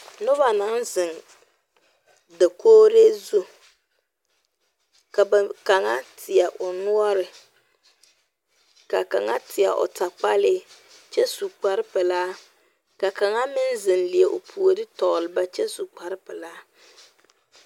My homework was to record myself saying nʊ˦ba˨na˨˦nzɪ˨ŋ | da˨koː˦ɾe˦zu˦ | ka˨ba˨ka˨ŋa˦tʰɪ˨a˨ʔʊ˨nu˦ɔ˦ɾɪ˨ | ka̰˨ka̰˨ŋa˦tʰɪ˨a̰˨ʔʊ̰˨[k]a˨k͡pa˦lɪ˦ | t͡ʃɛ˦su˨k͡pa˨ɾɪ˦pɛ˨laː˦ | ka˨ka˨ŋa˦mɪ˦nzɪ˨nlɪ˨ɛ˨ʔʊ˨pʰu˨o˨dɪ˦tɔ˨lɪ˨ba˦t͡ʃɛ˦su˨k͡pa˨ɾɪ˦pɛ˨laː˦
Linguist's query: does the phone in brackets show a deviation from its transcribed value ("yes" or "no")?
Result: yes